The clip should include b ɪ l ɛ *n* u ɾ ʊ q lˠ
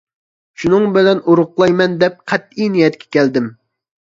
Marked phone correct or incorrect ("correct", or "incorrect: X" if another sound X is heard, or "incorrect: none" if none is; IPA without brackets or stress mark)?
correct